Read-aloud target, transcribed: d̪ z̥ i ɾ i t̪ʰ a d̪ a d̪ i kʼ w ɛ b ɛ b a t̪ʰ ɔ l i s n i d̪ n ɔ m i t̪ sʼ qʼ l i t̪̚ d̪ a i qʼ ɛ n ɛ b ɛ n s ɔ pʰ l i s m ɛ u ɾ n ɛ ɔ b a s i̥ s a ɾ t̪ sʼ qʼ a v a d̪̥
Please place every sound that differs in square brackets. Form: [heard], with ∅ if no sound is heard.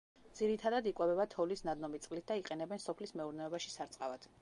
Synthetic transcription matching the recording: d̪ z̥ i ɾ i t̪ʰ a d̪ a d̪ i kʼ w ɛ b ɛ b a t̪ʰ ɔ l i s n [a] d̪ n ɔ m i t̪ sʼ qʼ l i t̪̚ d̪ a i qʼ ɛ n ɛ b ɛ n s ɔ pʰ l i s m ɛ u ɾ n ɛ ɔ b a [ʃ] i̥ s a ɾ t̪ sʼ qʼ a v a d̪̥